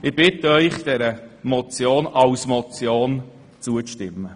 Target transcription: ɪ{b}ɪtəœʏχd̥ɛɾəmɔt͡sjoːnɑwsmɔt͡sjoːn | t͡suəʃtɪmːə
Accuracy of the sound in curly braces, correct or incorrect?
correct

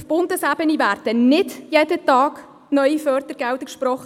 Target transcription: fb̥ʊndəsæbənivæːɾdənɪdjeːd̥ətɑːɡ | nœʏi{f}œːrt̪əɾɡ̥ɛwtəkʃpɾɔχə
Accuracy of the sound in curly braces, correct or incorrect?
correct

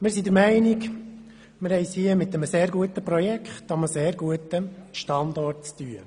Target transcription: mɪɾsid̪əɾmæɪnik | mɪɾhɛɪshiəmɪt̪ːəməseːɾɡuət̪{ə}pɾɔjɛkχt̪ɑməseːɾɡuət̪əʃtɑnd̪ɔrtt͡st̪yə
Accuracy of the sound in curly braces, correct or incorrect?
correct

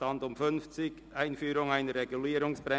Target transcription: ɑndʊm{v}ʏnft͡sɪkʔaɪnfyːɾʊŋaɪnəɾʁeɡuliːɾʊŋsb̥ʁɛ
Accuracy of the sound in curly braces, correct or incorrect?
incorrect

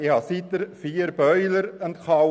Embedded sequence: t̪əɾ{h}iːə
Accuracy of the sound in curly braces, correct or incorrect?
incorrect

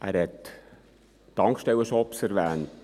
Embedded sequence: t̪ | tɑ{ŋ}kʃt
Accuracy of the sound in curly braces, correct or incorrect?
correct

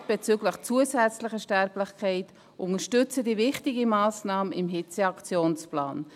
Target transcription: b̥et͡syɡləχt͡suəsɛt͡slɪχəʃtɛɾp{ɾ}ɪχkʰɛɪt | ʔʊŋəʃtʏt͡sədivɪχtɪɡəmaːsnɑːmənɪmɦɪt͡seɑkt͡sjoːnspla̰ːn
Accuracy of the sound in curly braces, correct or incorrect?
incorrect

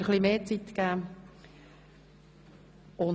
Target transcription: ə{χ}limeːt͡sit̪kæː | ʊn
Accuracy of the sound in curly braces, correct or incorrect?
correct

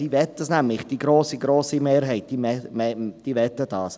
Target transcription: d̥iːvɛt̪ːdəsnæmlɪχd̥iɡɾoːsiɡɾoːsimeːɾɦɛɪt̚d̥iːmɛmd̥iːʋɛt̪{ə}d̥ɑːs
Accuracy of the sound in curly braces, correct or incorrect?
correct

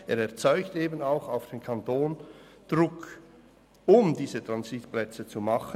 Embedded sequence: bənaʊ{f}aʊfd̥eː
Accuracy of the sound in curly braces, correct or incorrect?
incorrect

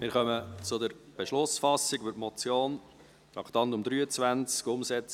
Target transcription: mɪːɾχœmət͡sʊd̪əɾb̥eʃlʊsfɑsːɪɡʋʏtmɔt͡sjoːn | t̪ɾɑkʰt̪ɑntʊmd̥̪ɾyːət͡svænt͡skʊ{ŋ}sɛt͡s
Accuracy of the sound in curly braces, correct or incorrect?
incorrect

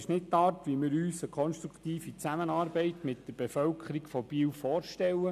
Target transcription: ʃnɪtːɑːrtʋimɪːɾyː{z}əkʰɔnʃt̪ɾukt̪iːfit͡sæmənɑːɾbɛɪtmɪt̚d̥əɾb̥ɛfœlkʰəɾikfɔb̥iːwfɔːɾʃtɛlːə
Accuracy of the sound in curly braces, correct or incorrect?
incorrect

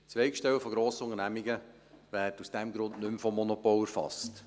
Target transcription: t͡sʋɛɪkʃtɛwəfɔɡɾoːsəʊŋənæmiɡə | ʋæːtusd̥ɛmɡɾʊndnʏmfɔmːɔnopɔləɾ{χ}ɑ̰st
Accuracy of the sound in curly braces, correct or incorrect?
incorrect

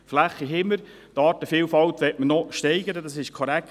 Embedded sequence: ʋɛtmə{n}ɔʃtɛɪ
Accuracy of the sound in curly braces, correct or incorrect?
correct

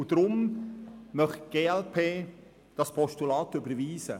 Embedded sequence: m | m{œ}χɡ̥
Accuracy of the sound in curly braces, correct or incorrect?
correct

